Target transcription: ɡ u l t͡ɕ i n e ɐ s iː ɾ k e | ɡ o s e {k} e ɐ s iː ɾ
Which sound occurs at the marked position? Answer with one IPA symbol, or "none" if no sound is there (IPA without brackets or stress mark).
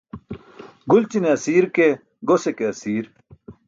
k